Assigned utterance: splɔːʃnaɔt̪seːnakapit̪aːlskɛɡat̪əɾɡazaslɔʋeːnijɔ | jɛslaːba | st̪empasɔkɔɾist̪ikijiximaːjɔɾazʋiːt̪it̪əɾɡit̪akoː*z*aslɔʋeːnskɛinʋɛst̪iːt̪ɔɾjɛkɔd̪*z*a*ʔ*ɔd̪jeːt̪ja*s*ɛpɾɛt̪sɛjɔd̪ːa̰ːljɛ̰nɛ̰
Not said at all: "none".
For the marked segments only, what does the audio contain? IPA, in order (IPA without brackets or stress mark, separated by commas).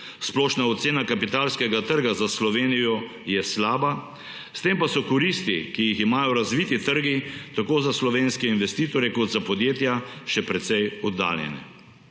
z, z, p, ʃ